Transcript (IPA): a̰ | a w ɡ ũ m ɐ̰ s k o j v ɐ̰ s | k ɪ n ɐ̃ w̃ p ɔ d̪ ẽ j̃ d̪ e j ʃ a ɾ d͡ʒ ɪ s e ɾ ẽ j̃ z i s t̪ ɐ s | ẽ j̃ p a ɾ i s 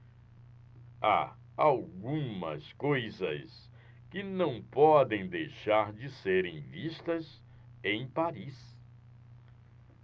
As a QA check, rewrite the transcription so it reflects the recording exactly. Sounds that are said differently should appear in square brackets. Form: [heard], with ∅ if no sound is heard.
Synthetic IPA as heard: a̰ | a w ɡ ũ m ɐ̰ s k o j [z] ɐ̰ s | k ɪ n ɐ̃ w̃ p ɔ d̪ ẽ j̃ d̪ e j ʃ a ɾ d͡ʒ ɪ s e ɾ ẽ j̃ [v] i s t̪ ɐ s | ẽ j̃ p a ɾ i s